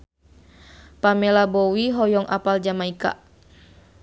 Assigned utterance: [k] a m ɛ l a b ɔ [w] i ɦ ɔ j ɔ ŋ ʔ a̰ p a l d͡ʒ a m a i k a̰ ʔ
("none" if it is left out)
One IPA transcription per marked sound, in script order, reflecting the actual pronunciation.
p, w

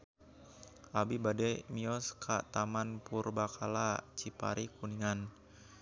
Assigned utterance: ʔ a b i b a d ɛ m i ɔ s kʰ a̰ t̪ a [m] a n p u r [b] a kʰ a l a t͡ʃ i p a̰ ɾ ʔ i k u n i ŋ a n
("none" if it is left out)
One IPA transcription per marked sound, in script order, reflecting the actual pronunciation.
m, b

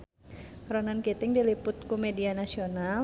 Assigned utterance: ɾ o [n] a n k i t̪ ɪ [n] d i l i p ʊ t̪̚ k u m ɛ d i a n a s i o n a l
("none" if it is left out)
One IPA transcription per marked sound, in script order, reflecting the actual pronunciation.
n, ŋ

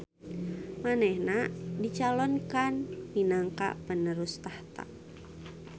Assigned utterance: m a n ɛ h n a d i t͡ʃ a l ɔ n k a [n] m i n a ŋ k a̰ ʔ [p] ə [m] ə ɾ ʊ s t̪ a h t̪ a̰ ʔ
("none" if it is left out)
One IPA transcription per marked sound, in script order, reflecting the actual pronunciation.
n, p, n

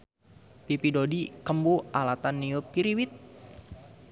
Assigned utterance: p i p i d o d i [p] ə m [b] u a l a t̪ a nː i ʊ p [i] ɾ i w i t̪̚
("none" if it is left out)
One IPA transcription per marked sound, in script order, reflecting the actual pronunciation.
k, b, i

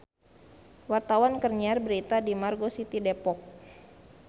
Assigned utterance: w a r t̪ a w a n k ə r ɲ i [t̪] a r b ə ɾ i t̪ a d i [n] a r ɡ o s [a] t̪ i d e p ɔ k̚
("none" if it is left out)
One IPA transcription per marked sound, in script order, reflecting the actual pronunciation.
none, m, i

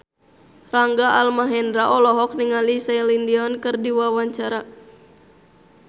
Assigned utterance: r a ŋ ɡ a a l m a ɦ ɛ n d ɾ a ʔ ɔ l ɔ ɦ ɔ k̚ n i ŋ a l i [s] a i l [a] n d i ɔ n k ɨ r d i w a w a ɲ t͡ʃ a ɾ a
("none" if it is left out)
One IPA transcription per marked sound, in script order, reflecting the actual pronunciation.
s, i

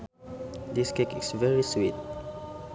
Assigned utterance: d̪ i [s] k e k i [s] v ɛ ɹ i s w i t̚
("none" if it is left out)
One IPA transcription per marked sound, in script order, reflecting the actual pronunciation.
s, s

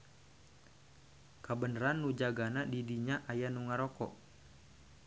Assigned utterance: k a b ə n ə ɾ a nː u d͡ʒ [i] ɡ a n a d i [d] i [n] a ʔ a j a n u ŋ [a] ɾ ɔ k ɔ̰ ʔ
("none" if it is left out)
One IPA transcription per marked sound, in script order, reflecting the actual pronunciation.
a, d, ɲ, a

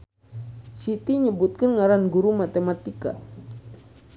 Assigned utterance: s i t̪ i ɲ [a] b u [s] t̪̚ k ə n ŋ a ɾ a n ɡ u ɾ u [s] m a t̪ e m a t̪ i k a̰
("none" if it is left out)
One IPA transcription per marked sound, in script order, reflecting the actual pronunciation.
ə, none, none

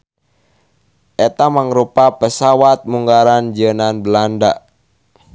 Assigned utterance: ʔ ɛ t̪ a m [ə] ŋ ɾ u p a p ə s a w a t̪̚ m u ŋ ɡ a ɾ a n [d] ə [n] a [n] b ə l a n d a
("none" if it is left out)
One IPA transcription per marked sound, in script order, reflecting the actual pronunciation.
a, d͡ʒ, n, n

